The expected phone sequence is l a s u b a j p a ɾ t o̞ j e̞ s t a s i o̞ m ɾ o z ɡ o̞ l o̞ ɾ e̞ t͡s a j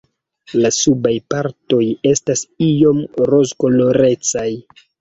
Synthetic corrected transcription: l a s u b a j p a ɾ t o̞ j e̞ s t a s i o̞ m ɾ o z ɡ o̞ l o̞ ɾ e̞ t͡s a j